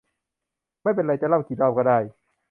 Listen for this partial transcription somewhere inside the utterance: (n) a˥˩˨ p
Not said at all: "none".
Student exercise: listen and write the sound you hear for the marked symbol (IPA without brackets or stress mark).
m